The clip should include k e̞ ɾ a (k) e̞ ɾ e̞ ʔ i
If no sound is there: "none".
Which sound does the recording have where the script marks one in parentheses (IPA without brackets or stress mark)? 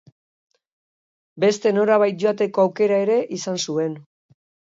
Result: none